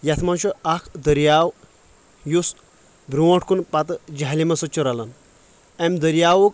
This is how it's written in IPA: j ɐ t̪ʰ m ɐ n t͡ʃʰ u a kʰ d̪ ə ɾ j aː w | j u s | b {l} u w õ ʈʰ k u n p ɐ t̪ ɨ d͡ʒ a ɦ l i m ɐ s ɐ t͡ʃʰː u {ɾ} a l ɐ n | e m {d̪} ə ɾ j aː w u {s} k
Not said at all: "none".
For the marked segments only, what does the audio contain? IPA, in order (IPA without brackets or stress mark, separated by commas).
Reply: ɾ, ɾ, d̪, none